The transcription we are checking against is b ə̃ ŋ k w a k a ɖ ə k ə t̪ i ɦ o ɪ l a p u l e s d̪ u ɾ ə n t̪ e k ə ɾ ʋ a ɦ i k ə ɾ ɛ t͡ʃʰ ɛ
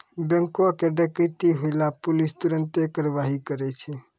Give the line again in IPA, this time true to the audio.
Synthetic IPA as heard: b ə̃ ŋ k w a k e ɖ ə k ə t̪ i ɦ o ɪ l a p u l i s t̪ u ɾ ə n t̪ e k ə ɾ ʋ a ɦ i k ə ɾ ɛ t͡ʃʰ ɛ

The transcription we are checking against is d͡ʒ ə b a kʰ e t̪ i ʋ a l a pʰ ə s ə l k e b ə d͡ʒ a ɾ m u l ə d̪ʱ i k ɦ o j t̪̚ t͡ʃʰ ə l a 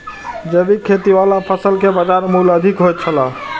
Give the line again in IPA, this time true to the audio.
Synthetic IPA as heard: d͡ʒ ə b i kʰ e t̪ i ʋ a l a pʰ ə s ə l k e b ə d͡ʒ a ɾ m u l ə d̪ʱ i k ɦ o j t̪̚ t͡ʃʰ ə l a

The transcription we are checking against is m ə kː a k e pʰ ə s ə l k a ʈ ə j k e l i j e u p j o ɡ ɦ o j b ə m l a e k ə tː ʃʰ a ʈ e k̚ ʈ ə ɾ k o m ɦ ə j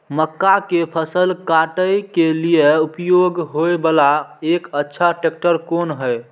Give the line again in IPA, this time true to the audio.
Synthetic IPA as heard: m ə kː a k e pʰ ə s ə l k a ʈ ə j k e l i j e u p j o ɡ ɦ o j b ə l a e k ə tː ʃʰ a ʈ e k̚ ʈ ə ɾ k o n ɦ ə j

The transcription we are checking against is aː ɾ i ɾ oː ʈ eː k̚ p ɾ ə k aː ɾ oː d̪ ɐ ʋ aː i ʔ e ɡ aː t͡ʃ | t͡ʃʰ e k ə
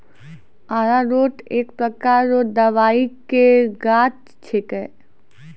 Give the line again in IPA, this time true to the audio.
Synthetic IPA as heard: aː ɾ a ɾ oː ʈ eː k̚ p ɾ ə k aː ɾ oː d̪ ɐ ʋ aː i k e ɡ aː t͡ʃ | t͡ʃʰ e k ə

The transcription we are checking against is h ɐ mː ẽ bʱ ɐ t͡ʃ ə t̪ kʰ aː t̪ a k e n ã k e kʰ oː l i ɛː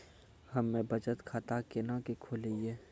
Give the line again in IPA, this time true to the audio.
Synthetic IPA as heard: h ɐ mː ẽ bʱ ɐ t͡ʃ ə t̪ kʰ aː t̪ a k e n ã k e kʰ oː l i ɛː

